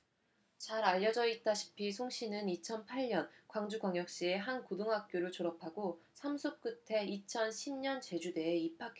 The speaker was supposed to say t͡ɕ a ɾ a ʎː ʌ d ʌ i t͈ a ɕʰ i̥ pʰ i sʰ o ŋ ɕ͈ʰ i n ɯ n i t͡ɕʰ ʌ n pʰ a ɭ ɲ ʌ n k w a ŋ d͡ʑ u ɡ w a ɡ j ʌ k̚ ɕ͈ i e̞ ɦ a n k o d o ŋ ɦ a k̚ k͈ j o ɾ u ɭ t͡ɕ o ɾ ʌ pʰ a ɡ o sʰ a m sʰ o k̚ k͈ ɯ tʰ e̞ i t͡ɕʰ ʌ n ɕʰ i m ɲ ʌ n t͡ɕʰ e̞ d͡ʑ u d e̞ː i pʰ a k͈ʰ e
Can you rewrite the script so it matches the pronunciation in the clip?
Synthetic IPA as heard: t͡ɕ a ɾ a ʎː ʌ d͡ʑ ʌ i t͈ a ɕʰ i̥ pʰ i sʰ o ŋ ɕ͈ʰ i n ɯ n i t͡ɕʰ ʌ n pʰ a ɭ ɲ ʌ n k w a ŋ d͡ʑ u ɡ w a ŋ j ʌ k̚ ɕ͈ i e̞ ɦ a n k o d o ŋ ɦ a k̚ k͈ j o ɾ ɯ ɭ t͡ɕ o ɾ ʌ pʰ a ɡ o sʰ a m sʰ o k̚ k͈ ɯ tʰ e̞ i t͡ɕʰ ʌ n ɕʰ i m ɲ ʌ n t͡ɕ e̞ d͡ʑ u d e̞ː i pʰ a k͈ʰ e